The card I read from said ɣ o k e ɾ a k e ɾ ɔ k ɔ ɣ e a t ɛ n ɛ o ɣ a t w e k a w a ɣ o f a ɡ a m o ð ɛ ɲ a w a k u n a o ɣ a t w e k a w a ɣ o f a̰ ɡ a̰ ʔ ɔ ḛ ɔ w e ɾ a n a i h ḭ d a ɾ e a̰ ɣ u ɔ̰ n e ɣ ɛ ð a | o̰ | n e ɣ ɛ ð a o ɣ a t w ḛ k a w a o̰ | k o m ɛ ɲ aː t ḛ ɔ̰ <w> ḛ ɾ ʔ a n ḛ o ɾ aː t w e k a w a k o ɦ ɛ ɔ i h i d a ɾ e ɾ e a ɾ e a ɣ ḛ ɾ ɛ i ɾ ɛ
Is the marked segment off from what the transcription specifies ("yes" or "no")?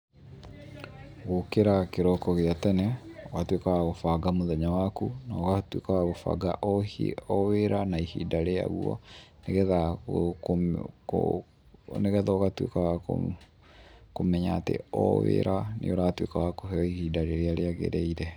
no